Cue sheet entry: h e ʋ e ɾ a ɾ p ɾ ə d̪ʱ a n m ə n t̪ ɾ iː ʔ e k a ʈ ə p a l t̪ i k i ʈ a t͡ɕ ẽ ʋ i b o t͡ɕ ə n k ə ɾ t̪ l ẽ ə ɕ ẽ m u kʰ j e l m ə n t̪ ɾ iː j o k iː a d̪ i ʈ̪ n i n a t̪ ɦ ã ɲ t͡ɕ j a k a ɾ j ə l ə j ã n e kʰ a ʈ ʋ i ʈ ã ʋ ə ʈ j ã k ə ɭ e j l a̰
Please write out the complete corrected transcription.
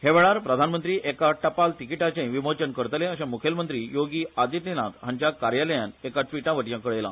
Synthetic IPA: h e ʋ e ɭ a ɾ p ɾ ə d̪ʱ a n m ə n t̪ ɾ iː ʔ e k a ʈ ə p a l t̪ i k i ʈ a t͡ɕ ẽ ʋ i m o t͡ɕ ə n k ə ɾ t̪ l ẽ ə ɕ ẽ m u kʰ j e l m ə n t̪ ɾ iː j o ɡ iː a d̪ i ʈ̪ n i n a t̪ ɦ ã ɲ t͡ɕ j a k a ɾ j a l ə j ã n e k a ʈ ʋ i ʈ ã ʋ ə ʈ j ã k ə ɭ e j l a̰